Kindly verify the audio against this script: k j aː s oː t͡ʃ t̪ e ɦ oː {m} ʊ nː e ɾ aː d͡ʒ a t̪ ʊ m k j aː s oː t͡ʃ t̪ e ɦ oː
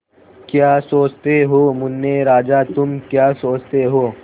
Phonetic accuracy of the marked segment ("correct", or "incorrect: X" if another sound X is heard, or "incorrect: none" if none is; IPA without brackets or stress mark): correct